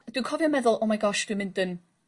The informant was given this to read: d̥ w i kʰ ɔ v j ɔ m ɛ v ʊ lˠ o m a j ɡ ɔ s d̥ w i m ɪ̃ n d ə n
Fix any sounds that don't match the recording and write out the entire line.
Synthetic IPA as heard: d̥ w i kʰ ɔ v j ɔ m ɛ ð ʊ lˠ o m a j ɡ ɔ ʃ d̥ w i m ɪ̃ n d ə n